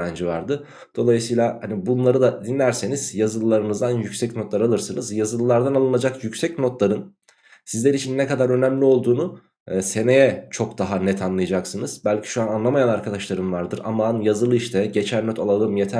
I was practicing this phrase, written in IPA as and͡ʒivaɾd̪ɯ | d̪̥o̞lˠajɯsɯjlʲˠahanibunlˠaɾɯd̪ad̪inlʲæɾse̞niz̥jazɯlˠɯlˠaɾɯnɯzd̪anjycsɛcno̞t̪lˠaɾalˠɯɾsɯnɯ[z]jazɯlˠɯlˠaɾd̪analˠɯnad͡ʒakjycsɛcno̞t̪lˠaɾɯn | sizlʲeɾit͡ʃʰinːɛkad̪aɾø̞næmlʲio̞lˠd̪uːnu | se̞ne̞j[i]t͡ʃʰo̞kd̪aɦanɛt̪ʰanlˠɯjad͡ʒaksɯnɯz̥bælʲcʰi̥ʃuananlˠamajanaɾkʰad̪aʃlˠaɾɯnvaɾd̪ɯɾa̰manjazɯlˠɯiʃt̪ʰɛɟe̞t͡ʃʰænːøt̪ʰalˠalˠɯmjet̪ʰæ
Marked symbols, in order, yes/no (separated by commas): yes, no